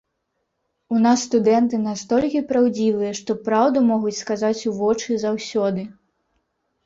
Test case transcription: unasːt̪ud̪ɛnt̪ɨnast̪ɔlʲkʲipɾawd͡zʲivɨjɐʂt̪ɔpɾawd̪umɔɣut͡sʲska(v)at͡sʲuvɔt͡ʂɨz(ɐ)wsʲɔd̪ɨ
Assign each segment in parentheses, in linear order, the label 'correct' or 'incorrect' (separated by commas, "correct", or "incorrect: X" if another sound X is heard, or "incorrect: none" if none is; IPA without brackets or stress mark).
incorrect: z, incorrect: a